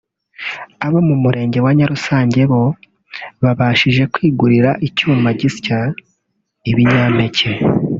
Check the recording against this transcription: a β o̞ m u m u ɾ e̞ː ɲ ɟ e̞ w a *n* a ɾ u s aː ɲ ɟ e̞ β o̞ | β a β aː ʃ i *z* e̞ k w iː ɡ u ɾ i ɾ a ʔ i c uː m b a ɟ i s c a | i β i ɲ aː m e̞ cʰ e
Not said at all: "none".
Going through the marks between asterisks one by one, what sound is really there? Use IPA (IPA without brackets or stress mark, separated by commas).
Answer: ɲ, ʒ